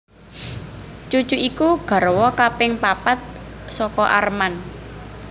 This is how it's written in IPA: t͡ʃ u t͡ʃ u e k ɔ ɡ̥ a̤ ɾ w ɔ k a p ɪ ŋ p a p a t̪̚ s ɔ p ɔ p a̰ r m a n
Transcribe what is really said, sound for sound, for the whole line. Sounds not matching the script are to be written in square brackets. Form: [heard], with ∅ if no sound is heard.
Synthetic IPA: t͡ʃ u t͡ʃ u [i] k [u] ɡ̥ a̤ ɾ w ɔ k a p ɪ ŋ p a p a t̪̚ s ɔ [k] ɔ [ʔ] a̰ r m a n